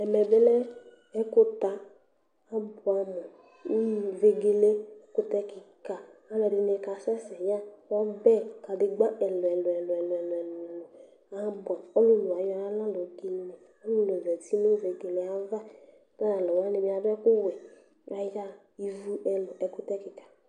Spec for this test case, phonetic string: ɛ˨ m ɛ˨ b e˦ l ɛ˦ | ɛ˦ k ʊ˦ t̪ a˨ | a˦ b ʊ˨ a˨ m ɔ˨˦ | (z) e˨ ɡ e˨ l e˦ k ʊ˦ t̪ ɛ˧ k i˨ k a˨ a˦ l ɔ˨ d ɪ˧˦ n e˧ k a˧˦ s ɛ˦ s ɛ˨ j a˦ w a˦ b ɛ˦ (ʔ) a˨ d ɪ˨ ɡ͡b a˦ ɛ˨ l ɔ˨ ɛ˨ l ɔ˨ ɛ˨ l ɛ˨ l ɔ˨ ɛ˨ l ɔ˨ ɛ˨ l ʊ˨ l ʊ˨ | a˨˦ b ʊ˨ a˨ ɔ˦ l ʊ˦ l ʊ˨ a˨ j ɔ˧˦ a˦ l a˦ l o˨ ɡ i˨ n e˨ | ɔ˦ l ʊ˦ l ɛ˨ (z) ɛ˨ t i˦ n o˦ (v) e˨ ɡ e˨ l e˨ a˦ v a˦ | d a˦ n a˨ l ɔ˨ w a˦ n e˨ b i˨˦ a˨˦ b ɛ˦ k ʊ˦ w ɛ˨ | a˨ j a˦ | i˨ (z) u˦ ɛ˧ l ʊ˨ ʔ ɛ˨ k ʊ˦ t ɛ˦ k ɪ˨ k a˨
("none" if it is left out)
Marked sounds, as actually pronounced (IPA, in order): v, k, v, v, v

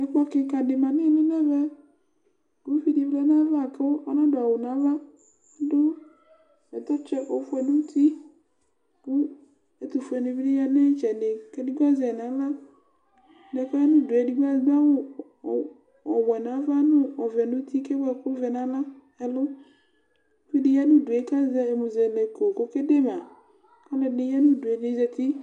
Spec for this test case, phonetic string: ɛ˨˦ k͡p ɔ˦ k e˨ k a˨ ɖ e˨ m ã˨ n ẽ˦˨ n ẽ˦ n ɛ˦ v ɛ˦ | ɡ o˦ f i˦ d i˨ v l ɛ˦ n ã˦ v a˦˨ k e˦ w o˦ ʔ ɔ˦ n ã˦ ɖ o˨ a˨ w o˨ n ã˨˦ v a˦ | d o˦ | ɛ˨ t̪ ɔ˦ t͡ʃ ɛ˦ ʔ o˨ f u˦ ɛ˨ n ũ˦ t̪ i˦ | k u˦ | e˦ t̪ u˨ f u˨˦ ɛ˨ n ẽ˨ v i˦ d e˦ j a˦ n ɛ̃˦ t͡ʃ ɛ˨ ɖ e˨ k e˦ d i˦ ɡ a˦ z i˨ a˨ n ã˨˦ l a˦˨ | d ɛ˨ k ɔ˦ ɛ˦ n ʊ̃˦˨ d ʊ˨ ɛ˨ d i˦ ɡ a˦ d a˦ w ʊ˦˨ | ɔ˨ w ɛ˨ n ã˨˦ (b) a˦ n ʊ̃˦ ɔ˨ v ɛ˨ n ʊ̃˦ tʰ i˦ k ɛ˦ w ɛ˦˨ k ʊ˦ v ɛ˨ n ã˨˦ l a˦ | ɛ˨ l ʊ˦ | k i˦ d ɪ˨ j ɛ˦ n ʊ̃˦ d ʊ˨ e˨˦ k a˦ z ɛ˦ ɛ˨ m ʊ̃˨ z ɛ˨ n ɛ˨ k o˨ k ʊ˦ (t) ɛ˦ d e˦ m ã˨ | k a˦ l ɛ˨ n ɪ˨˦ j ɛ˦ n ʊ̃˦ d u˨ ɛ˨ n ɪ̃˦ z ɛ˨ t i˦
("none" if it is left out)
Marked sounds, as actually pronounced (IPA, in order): v, k

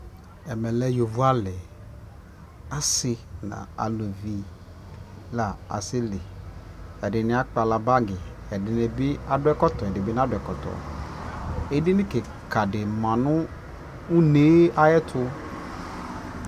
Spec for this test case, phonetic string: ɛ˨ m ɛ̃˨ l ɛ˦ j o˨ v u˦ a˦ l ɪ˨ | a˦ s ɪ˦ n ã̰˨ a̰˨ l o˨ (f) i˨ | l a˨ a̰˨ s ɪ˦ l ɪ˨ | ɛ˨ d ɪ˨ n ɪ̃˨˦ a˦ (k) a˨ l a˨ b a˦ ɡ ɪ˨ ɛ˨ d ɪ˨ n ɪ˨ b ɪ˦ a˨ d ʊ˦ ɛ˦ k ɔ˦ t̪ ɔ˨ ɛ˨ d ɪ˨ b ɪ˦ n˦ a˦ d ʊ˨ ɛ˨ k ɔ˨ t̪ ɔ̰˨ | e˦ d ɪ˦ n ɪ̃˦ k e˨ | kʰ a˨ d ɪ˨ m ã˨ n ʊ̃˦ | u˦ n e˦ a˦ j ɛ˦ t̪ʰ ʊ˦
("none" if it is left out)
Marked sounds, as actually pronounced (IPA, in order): v, k͡p

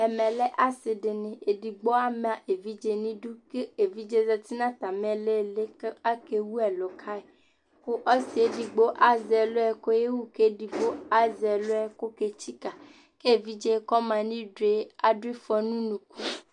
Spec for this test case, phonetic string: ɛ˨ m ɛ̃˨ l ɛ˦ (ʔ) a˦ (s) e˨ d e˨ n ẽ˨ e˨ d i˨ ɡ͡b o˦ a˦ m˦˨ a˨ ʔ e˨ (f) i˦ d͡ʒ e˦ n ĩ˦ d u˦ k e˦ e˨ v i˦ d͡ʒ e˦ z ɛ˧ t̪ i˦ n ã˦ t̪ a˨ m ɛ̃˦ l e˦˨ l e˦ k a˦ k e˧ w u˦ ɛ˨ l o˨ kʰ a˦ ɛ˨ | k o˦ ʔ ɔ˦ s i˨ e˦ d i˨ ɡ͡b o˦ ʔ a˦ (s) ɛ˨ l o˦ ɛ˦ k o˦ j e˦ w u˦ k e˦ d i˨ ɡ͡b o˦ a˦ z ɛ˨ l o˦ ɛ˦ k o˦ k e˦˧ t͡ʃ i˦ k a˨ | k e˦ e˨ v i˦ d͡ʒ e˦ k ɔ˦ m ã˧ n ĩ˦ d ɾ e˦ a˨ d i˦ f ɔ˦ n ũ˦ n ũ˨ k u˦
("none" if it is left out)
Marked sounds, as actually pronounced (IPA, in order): ʔ, s, v, z

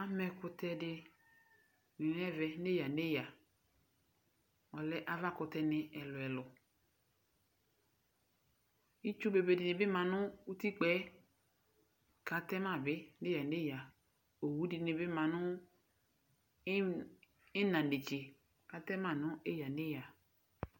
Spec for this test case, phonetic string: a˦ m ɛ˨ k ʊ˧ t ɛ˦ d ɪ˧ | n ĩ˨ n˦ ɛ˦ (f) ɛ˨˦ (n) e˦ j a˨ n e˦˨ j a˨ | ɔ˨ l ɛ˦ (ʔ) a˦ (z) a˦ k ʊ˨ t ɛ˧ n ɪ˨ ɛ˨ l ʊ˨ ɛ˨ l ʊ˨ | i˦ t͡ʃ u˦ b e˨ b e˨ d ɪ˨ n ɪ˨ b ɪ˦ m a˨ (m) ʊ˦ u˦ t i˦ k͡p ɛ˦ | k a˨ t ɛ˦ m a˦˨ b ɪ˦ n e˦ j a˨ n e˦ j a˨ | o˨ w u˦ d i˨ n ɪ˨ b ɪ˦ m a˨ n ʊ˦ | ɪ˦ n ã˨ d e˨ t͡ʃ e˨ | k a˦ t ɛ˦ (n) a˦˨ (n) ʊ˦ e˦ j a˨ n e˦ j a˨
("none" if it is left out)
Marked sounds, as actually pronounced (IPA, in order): v, n, ʔ, v, n, m, n

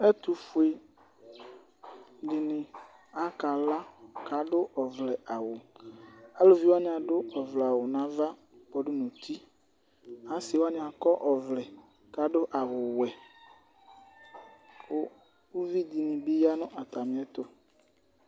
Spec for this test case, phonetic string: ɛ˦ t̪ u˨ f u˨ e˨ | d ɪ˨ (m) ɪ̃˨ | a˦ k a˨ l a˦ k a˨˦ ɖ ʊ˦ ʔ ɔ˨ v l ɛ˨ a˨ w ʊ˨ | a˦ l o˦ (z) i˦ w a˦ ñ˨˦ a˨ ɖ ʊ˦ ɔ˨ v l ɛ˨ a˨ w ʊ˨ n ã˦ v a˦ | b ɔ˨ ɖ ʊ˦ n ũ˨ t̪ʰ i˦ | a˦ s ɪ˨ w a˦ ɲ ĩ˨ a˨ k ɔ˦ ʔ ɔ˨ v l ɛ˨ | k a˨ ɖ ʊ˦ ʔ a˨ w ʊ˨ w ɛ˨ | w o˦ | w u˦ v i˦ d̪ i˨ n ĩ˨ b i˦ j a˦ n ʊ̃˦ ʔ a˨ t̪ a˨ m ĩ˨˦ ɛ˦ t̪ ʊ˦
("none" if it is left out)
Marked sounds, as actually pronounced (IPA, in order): n, v

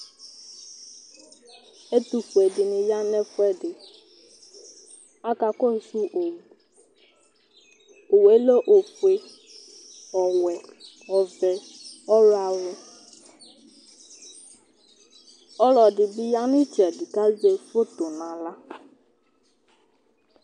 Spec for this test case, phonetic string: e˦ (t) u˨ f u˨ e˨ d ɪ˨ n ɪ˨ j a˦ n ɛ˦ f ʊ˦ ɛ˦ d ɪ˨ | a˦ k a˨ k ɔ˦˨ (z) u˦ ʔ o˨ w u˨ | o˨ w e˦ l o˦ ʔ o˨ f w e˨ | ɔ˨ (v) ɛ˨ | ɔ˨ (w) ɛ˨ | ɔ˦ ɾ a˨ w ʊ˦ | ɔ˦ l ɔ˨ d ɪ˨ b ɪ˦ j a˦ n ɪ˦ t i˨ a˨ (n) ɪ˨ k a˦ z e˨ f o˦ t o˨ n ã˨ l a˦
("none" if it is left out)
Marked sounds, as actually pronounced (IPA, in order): t, s, w, v, d

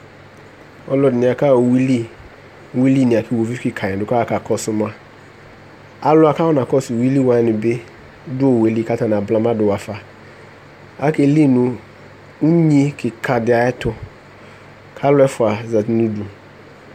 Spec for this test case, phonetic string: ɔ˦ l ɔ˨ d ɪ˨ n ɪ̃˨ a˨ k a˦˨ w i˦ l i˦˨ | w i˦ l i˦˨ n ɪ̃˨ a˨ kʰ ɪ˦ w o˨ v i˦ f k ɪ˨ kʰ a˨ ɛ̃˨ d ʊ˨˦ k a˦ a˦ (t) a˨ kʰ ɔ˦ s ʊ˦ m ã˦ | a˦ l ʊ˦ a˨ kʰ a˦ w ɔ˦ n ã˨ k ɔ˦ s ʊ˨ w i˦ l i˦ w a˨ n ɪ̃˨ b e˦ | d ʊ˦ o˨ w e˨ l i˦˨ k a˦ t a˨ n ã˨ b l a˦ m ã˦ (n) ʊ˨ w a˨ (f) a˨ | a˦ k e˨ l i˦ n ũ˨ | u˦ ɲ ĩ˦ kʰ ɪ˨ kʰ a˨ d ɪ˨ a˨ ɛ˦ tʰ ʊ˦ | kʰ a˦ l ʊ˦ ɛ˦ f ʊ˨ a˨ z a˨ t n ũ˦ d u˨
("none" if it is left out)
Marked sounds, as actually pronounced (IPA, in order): k, d, f

